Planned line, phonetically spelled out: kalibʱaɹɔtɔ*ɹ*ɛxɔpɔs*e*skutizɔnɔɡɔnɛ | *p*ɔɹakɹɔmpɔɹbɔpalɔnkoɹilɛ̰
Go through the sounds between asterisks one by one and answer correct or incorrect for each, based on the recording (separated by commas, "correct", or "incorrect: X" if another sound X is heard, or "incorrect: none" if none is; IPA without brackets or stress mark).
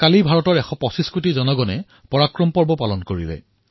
correct, incorrect: i, correct